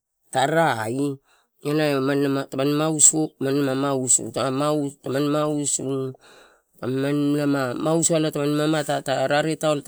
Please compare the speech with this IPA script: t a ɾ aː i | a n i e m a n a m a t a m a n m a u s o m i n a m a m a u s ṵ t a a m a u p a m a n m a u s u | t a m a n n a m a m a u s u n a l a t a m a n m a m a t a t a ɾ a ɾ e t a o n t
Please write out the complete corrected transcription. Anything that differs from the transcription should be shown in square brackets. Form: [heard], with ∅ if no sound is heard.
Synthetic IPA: t a ɾ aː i | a n [a] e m a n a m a t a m a n m a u s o m [a] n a m a m a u s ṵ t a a m a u [t] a m a n m a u s u | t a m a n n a m a m a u s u [∅] a l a t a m a n m a m a t a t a ɾ a ɾ e t a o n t